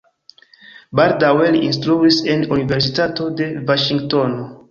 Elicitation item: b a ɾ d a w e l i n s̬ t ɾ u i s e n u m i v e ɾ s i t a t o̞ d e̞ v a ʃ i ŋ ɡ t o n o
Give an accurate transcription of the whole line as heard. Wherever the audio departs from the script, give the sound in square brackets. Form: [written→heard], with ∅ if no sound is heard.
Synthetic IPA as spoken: b a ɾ d a w e l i n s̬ t ɾ u i s e n u [m→n] i v e ɾ s i t a t o̞ d e̞ v a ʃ i ŋ ɡ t o n o